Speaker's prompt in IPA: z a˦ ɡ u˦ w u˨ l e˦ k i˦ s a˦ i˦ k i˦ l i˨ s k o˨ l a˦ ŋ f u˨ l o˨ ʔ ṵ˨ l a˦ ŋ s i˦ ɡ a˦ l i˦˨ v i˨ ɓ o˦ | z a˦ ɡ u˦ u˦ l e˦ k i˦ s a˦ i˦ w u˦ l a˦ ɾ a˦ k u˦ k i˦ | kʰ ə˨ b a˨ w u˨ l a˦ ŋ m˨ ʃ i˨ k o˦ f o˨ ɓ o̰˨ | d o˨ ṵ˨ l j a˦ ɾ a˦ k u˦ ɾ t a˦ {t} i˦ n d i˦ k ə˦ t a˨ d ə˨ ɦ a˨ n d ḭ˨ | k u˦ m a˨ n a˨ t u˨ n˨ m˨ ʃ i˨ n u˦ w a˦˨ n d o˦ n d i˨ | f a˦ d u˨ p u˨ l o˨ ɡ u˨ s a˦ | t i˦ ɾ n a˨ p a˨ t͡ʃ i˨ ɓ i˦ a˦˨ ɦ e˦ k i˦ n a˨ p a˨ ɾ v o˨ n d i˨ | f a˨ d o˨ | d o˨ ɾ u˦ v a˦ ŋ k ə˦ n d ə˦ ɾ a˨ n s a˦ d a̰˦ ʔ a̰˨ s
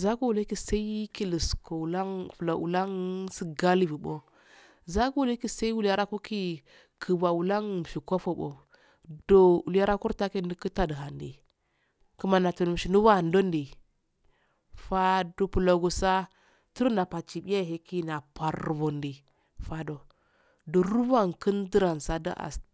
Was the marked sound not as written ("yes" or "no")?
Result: yes